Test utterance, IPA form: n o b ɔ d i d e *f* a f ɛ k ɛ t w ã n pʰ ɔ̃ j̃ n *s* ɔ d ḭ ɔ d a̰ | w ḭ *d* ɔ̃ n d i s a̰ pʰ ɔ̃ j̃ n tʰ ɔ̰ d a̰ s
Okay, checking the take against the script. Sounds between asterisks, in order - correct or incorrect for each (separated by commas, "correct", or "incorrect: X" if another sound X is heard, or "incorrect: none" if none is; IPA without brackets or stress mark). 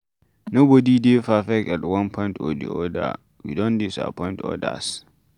correct, incorrect: t, correct